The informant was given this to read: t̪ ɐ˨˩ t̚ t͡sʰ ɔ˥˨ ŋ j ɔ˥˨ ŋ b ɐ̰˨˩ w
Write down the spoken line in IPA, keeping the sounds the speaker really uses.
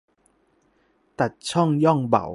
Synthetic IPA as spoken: t̪ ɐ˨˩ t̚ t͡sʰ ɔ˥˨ ŋ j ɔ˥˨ ŋ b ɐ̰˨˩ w